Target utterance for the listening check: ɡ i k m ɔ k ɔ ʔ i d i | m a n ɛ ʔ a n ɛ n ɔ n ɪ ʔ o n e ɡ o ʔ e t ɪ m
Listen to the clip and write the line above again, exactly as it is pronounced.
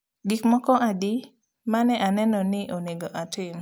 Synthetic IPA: ɡ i k m ɔ k ɔ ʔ a d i | m a n ɛ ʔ a n ɛ n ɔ n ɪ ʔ o n e ɡ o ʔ a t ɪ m